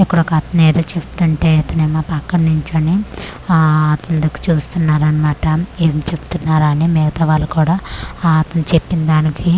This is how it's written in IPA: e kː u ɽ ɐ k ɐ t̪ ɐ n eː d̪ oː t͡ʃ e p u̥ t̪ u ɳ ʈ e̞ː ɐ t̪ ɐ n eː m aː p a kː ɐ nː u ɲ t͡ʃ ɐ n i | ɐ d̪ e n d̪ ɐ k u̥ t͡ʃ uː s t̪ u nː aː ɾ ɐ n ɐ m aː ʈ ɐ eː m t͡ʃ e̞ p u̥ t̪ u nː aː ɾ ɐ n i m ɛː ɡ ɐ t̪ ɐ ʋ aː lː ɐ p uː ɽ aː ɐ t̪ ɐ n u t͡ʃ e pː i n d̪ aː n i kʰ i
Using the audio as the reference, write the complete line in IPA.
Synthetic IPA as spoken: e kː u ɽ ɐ k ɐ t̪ ɐ n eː d̪ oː t͡ʃ e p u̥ t̪ u ɳ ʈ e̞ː ɐ t̪ ɐ n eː m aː p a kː ɐ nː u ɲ t͡ʃ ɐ n i | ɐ t̪ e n d̪ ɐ k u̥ t͡ʃ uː s t̪ u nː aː ɾ ɐ n ɐ m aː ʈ ɐ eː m t͡ʃ e̞ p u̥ t̪ u nː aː ɾ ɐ n i m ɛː ɡ ɐ t̪ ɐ ʋ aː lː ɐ k uː ɽ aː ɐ t̪ ɐ n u t͡ʃ e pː i n d̪ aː n i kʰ i